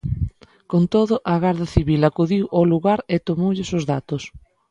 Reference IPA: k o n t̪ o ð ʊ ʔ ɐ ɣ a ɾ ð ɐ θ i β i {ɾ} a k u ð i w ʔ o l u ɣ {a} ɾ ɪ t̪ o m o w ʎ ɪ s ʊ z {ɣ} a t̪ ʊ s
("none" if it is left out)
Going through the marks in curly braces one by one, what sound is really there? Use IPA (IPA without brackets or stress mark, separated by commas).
l, a, ð